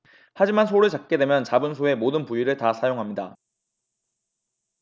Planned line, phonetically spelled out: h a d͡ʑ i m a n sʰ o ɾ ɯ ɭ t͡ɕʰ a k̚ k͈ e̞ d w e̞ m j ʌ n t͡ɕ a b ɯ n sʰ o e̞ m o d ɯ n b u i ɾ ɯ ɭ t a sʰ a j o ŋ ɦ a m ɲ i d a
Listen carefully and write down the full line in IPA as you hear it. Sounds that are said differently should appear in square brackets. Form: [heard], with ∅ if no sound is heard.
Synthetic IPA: h a d͡ʑ i m a n sʰ o ɾ ɯ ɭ [t͡ɕ] a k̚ k͈ e̞ d w e̞ m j ʌ n t͡ɕ a b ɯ n sʰ o e̞ m o d ɯ n [p] u i ɾ ɯ ɭ t a sʰ a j o ŋ ɦ a m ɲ i d a